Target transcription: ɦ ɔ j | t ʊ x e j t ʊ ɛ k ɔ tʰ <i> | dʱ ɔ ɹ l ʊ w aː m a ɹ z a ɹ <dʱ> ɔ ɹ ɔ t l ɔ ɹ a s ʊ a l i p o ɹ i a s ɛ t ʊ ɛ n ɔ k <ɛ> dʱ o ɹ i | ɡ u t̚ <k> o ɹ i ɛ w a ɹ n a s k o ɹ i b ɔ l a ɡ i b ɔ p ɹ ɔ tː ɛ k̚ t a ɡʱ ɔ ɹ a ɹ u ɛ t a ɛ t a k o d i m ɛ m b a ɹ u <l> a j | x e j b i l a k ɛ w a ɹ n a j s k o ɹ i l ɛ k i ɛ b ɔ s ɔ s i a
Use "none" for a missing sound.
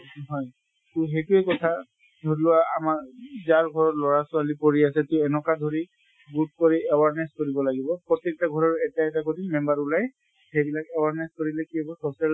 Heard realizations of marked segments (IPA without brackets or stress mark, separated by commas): a, ɡʱ, a, k, l